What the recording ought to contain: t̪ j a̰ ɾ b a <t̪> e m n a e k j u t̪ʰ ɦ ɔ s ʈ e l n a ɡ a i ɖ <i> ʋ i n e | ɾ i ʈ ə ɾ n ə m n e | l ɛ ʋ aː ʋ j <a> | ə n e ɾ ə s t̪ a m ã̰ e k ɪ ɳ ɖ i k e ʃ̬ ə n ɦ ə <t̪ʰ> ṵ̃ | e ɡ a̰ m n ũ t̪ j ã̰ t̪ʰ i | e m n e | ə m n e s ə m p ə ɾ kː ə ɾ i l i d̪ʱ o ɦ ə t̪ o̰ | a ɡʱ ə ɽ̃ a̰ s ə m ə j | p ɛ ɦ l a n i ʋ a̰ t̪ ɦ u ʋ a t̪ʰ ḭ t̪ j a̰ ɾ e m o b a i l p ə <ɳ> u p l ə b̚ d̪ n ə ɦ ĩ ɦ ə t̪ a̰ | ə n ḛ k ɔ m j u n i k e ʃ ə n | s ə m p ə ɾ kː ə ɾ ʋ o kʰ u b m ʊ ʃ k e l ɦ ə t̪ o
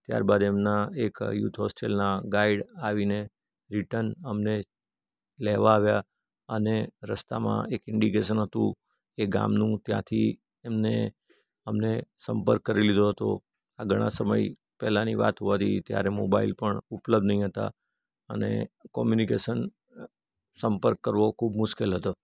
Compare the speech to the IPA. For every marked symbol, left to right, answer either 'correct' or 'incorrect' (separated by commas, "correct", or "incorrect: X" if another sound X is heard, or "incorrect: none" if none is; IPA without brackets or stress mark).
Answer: incorrect: d̪, incorrect: a, correct, incorrect: t̪, correct